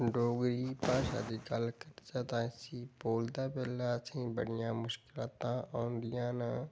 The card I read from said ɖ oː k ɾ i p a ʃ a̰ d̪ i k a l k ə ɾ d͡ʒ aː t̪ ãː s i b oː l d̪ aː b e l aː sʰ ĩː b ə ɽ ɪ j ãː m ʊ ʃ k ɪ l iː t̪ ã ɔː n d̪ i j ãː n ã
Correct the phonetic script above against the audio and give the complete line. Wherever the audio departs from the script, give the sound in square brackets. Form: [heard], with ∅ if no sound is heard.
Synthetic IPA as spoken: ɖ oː [ɡ] ɾ i p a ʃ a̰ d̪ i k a l k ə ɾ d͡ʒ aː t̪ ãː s i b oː l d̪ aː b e l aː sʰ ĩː b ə ɽ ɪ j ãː m ʊ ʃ k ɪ l [aː] t̪ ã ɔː n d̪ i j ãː n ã